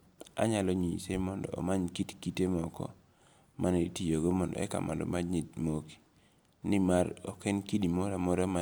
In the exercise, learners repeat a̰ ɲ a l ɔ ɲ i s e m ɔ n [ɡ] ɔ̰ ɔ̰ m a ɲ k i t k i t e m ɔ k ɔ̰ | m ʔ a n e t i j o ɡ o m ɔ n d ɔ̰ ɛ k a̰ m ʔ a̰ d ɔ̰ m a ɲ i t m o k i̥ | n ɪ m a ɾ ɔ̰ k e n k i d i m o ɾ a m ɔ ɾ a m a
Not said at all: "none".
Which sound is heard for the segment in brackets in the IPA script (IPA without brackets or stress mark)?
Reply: d